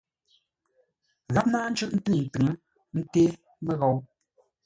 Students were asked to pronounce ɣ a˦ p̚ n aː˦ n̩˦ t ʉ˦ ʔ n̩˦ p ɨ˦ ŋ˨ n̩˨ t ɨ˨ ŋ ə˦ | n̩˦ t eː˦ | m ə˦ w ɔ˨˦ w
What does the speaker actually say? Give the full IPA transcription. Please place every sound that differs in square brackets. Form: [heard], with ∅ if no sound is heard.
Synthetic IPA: ɣ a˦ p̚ n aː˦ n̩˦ [t͡ʃ] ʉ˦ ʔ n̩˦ [t] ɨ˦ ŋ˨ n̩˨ t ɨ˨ ŋ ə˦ | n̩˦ t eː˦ | m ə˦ [ɣ] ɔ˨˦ w